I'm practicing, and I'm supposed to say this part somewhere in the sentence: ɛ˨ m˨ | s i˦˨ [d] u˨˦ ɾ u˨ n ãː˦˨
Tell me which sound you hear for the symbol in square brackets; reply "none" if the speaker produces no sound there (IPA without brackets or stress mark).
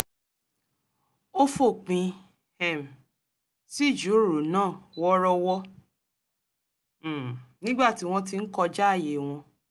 d͡ʒ